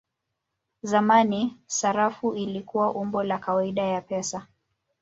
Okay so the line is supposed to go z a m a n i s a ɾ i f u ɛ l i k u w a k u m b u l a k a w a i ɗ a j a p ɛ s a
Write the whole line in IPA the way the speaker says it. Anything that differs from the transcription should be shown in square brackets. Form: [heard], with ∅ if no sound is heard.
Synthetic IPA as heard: z a m a n i s a ɾ [a] f u [i] l i k u w a [ʔ] u m b [ɔ] l a k a w a i ɗ a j a p ɛ s a